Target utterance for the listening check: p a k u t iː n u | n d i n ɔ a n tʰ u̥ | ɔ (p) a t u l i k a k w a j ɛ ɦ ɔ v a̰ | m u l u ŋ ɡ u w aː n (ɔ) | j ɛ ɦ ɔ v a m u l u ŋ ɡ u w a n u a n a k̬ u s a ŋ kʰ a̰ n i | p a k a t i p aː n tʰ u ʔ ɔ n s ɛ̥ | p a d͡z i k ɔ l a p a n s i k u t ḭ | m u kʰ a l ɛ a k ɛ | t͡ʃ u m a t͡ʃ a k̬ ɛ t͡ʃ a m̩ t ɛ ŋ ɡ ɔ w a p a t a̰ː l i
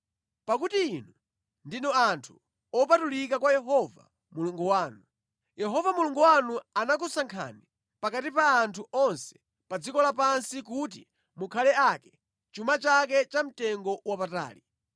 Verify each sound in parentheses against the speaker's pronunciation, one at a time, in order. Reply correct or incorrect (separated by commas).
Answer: correct, incorrect